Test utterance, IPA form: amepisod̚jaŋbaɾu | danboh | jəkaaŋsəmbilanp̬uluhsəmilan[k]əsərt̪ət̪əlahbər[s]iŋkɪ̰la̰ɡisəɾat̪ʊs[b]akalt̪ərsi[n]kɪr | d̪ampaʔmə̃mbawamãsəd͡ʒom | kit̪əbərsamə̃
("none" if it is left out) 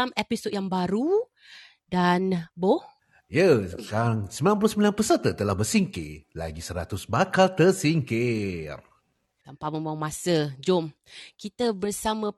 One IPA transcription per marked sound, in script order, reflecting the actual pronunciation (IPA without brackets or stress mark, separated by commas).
p, s, b, ŋ